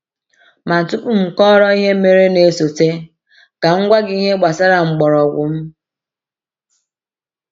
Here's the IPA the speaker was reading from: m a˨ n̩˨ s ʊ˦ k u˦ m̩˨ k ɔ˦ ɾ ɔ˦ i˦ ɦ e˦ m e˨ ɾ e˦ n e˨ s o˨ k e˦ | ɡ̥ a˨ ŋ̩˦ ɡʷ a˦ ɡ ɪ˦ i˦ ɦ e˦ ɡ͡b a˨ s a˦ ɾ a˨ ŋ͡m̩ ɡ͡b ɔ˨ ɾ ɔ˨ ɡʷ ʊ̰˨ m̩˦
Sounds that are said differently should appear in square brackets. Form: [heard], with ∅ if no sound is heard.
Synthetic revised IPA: m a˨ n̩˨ [t] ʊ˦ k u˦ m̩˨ k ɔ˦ ɾ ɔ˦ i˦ ɦ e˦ m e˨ ɾ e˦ n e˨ s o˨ [t] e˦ | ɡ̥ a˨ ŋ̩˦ ɡʷ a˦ ɡ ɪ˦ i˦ ɦ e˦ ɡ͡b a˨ s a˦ ɾ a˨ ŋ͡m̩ ɡ͡b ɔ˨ ɾ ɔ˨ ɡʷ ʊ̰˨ m̩˦